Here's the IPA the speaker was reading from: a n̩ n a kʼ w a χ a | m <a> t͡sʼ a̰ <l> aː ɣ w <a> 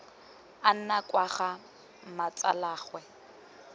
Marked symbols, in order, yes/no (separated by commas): yes, yes, no